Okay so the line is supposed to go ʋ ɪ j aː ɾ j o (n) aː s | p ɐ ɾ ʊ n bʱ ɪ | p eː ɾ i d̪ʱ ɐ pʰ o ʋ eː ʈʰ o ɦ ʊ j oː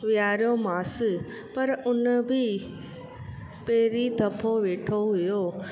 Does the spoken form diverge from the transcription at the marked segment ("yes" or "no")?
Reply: yes